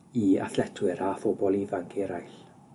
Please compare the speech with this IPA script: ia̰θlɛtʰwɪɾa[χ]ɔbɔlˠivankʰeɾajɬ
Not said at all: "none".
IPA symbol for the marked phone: f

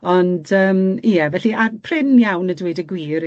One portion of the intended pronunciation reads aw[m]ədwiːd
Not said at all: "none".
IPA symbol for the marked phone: n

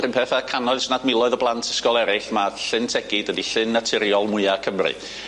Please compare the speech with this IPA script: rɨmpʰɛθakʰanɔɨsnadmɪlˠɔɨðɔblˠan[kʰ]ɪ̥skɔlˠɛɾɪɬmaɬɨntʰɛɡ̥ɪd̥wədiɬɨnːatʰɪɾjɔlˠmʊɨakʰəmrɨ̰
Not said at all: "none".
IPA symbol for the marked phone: tʰ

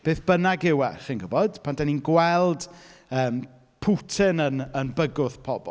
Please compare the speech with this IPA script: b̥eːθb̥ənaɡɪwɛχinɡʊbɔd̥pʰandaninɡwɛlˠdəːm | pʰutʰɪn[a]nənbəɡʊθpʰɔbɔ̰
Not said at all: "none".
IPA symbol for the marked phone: ə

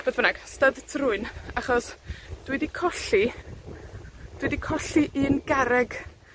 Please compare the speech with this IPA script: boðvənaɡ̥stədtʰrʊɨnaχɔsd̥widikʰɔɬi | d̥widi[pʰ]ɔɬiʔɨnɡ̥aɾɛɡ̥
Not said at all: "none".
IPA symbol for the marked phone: kʰ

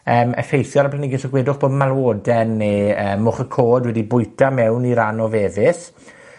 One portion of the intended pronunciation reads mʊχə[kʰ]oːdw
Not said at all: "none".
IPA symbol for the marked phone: kʰ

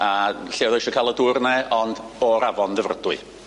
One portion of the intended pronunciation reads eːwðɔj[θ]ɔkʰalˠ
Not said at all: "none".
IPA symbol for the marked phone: ʃ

